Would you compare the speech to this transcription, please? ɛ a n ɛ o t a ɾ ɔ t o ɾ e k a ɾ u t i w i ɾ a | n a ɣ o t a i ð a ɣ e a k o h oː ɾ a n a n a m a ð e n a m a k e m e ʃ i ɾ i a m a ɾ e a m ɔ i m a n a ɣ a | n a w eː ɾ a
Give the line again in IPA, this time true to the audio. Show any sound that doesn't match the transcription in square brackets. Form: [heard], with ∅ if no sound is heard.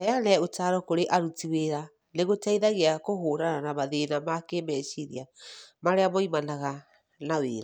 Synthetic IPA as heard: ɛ a n ɛ o t a ɾ ɔ [k] o ɾ e [ʔ] a ɾ u t i w [e] ɾ a | n [e] ɣ o t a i ð a ɣ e a k o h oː ɾ a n a n a m a ð e n a m a k e m [ɛ] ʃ i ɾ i a m a ɾ e a m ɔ i m a n a ɣ a | n a w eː ɾ a